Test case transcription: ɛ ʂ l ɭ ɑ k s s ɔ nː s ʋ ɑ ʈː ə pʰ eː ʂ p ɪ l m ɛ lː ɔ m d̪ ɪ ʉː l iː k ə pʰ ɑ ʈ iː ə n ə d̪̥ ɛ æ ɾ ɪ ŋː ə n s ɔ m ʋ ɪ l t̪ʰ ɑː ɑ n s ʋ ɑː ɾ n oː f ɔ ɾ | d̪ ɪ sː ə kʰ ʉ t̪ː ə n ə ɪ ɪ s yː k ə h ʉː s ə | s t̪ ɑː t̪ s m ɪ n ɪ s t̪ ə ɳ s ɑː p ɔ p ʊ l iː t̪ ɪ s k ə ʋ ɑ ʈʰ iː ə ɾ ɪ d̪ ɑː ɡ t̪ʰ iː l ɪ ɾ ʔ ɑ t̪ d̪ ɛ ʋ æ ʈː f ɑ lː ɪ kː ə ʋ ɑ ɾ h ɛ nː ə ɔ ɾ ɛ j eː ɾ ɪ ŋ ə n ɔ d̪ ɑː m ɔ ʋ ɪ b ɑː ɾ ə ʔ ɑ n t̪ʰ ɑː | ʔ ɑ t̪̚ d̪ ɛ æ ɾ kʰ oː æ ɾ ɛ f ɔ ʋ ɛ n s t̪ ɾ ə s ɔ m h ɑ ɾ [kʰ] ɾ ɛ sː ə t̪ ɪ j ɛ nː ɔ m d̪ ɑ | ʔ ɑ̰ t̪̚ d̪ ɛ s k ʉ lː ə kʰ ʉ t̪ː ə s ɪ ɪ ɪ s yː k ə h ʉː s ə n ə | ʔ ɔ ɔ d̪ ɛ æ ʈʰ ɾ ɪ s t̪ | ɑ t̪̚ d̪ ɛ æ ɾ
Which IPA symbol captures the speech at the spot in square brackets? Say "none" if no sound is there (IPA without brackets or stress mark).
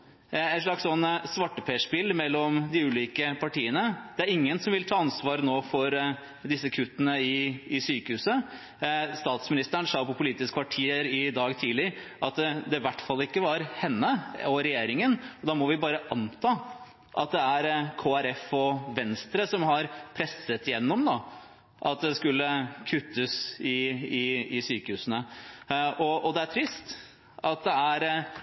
pʰ